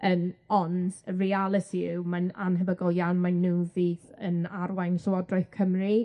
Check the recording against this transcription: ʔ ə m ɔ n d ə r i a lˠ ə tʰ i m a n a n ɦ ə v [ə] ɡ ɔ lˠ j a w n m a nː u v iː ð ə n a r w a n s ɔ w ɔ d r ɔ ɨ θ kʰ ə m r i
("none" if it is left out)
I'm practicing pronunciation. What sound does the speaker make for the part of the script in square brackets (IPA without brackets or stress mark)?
ə